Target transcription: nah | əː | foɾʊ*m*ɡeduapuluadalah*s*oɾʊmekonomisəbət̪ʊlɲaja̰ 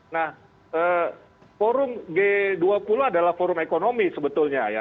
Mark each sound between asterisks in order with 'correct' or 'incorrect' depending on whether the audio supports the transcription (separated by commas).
correct, incorrect